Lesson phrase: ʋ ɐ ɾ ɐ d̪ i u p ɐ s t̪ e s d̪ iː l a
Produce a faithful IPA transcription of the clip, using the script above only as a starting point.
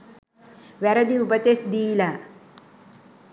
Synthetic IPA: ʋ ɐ ɾ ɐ d̪ i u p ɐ t̪ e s d̪ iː l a